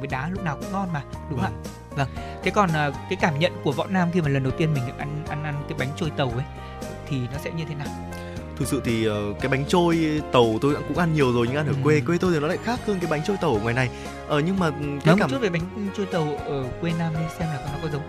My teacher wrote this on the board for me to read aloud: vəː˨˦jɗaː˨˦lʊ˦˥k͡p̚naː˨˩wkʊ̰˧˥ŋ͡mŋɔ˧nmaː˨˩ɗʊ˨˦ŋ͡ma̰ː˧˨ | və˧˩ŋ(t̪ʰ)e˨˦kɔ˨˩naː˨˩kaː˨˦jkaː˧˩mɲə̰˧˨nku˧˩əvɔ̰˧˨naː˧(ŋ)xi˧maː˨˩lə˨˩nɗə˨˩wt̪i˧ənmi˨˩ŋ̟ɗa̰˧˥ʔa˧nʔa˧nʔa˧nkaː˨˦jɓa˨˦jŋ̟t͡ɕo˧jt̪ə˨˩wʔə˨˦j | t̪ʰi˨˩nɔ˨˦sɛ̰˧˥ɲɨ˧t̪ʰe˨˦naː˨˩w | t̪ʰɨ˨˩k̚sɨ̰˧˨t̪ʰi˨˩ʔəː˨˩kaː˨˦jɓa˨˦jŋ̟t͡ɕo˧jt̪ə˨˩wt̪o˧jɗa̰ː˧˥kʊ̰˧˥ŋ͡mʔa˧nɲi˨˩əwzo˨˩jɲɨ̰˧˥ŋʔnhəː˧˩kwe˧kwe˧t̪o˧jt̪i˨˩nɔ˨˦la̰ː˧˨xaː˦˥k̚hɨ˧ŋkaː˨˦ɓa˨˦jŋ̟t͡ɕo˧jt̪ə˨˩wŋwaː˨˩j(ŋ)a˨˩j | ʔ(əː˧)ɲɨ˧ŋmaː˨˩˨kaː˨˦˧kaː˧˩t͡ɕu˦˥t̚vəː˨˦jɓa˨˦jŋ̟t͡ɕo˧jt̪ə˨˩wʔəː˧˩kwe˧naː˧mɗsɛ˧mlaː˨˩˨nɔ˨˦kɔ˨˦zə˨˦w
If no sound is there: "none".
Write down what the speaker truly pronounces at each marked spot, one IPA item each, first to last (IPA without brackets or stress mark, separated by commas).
t̪ʰ, m, n, əː˨˩